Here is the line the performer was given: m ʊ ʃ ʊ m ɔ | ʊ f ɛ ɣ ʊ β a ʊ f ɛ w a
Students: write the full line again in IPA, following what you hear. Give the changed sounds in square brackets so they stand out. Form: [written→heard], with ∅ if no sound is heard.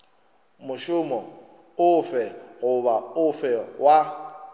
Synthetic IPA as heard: m ʊ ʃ ʊ m ɔ | ʊ f ɛ ɣ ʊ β a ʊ f ɛ w a